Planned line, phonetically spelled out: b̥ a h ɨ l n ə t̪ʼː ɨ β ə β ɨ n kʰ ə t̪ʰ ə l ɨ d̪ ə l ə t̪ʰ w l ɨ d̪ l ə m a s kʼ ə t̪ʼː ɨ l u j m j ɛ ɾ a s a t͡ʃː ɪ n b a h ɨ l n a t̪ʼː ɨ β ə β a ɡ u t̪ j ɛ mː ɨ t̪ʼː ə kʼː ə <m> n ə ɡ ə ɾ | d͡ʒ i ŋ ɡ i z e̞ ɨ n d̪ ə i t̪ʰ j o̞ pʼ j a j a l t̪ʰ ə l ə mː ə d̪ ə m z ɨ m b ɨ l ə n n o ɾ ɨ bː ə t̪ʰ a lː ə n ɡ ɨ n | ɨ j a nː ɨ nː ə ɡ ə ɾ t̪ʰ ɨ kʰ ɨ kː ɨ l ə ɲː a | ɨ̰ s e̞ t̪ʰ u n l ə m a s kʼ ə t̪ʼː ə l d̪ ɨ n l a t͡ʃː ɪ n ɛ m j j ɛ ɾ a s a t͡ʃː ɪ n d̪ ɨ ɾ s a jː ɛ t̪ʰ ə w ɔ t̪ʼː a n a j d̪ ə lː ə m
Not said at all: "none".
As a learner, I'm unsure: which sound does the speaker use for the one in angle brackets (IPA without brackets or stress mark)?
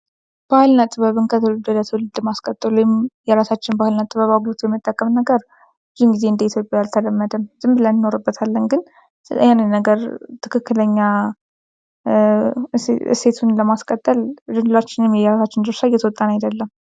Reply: m